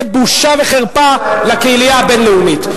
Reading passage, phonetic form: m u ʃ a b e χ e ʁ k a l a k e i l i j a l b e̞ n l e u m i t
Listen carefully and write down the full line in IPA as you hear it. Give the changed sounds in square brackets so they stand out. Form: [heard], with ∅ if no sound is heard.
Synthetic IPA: [b] u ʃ a [v] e χ e ʁ [p] a l a k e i l i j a [∅] b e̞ n l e u m i t